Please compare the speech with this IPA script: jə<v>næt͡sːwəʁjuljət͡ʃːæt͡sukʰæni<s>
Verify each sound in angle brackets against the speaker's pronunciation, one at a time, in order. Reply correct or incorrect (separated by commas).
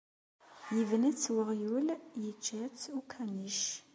correct, incorrect